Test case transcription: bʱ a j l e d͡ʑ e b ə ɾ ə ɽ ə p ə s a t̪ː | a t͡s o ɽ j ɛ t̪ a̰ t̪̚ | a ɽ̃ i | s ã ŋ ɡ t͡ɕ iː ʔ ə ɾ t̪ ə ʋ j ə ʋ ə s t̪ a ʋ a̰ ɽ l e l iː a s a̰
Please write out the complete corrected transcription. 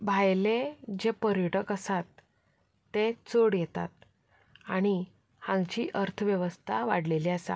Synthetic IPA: bʱ a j l e d͡ʑ e p ə ɾ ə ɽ ə k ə s a t̪ː | e t͡s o ɽ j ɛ t̪ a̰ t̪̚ | a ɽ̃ i | h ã ŋ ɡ t͡ɕ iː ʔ ə ɾ t̪ʰ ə ʋ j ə ʋ ə s t̪ʰ a ʋ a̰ ɽ l e l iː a s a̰